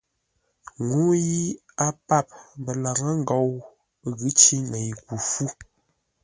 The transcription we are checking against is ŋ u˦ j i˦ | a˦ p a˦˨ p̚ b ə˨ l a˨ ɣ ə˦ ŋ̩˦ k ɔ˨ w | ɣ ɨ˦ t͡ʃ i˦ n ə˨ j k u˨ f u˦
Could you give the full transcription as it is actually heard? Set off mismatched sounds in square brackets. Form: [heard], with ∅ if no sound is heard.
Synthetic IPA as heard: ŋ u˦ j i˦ | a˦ p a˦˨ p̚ b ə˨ l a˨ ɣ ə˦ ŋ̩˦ [ɡ] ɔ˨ w | ɣ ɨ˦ t͡ʃ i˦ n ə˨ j k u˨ f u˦